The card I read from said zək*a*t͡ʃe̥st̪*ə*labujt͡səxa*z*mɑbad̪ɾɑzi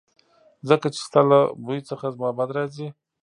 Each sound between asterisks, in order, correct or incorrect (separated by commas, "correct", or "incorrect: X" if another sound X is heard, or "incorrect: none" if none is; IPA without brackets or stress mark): correct, incorrect: a, correct